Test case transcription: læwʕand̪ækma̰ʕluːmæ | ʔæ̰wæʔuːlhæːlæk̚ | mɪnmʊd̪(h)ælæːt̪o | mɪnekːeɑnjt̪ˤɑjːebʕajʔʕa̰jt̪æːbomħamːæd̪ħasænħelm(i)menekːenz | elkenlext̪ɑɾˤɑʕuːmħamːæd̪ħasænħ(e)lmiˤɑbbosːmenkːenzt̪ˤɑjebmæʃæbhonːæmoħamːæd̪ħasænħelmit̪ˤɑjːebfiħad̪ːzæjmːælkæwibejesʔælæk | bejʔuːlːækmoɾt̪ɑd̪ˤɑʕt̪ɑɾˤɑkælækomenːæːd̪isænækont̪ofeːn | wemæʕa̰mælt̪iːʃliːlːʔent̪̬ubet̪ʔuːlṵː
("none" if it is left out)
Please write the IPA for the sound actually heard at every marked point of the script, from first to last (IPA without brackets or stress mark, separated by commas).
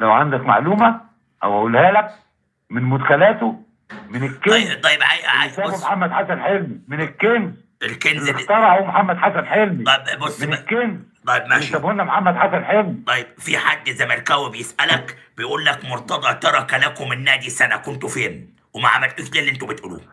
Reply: x, i, e